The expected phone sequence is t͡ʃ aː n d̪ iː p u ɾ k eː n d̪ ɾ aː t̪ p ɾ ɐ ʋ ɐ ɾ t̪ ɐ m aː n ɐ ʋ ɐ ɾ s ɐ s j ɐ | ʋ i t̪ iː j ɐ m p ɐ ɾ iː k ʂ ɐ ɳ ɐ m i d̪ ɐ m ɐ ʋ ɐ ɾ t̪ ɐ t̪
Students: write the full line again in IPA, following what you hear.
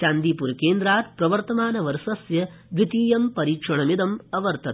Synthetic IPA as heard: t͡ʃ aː n d̪ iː p u ɾ k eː n d̪ ɾ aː t̪ p ɾ ɐ ʋ ɐ ɾ t̪ ɐ m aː n ɐ ʋ ɐ ɾ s ɐ s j ɐ | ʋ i t̪ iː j ɐ m p ɐ ɾ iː k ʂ ɐ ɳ ɐ m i d̪ ɐ m ɐ ʋ ɐ ɾ t̪ ɐ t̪